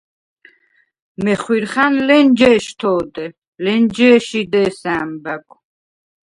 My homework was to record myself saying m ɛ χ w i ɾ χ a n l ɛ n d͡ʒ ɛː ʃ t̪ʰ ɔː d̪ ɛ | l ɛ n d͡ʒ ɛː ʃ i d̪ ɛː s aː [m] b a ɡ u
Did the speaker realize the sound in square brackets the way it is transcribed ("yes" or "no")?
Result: yes